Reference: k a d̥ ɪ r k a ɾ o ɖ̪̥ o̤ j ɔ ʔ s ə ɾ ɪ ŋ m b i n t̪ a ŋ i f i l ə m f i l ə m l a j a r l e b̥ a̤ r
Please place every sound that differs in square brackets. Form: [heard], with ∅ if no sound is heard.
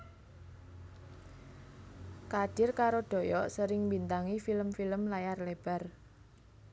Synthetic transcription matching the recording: k a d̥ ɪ r k a ɾ o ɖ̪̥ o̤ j ɔ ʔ s ə ɾ ɪ ŋ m b i n t̪ a ŋ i f i l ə m f i l ə m l a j a r l e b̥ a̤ r